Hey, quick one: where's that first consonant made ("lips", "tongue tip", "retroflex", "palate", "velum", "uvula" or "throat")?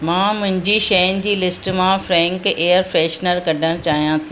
lips